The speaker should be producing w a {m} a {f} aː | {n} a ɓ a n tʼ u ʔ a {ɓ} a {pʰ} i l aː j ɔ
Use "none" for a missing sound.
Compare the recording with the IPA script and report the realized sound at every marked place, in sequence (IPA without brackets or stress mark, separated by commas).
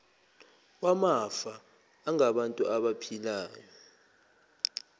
m, f, ŋ, ɓ, pʰ